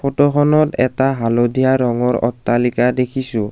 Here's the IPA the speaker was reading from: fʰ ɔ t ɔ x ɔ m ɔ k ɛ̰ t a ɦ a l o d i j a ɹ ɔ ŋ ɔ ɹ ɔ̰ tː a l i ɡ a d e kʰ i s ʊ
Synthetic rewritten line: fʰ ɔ t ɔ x ɔ n ɔ t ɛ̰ t a ɦ a l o d i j a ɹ ɔ ŋ ɔ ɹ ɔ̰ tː a l i k a d e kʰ i s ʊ